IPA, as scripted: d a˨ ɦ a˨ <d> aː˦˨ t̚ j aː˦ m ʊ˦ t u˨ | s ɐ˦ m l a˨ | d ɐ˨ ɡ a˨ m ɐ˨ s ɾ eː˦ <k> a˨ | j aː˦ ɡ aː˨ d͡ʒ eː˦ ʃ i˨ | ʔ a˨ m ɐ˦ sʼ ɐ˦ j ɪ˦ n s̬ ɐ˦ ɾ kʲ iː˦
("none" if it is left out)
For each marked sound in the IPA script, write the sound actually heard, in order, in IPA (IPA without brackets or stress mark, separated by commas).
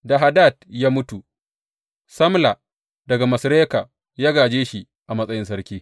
d, k